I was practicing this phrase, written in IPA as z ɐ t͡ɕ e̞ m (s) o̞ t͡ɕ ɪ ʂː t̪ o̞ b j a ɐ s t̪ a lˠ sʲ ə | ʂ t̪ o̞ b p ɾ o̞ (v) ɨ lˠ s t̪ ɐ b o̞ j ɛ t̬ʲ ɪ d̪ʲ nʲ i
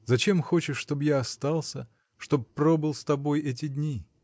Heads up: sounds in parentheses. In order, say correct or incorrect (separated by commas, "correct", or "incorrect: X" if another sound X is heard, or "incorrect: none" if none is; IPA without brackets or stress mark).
incorrect: x, incorrect: b